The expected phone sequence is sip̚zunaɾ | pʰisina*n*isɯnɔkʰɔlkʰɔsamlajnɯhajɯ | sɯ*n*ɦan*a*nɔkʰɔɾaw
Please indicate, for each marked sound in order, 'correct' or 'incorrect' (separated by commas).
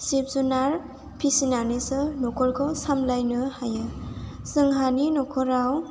correct, incorrect, incorrect